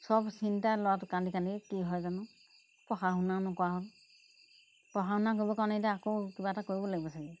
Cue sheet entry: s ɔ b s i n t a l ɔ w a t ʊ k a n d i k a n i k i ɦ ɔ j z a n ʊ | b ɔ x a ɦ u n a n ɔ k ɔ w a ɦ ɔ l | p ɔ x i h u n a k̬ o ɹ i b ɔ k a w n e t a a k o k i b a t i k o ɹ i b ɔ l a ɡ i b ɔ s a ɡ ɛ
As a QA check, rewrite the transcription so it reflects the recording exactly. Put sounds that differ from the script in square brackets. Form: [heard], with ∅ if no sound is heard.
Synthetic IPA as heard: s ɔ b s i n t a l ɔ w a t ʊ k a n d i k a n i k i ɦ ɔ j z a n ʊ | [p] ɔ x a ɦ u n a n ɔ k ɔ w a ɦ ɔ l | p ɔ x [a] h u n a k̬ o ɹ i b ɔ k a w n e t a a k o k i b a t [a] k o ɹ i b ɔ l a ɡ i b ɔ s a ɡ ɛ